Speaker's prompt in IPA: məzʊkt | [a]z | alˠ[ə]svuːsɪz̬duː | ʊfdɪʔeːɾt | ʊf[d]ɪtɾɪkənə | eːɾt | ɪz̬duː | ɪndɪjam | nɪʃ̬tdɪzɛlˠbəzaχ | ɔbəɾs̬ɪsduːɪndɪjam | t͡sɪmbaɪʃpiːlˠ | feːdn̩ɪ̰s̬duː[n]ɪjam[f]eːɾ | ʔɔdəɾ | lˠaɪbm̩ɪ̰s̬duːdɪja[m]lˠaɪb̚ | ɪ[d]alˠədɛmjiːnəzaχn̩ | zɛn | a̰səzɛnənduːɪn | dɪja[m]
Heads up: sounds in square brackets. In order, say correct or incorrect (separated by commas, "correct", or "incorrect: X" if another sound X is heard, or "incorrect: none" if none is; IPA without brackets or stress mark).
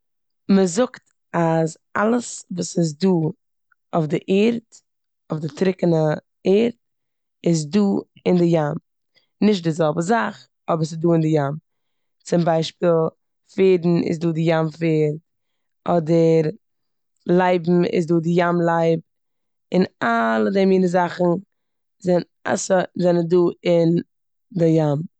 correct, correct, correct, incorrect: d, correct, correct, incorrect: n, correct